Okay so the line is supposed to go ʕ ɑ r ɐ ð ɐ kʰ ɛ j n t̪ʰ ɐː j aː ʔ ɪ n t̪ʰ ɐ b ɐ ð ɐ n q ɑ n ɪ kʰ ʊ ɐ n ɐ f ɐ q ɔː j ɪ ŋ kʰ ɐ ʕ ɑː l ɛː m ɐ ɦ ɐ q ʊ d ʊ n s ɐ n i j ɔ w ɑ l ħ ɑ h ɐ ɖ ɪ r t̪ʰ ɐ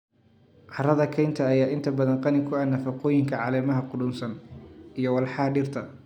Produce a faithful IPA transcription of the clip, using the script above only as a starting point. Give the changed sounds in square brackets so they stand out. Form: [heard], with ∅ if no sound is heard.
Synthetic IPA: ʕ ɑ r ɐ ð ɐ kʰ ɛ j n t̪ʰ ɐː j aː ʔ ɪ n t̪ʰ ɐ b ɐ ð ɐ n q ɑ n ɪ kʰ ʊ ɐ n ɐ f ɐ q ɔː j ɪ ŋ kʰ ɐ ʕ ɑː l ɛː m ɐ ɦ ɐ q ʊ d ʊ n s ɐ n i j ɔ w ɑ l ħ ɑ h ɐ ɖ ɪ r t̪ʰ ɐ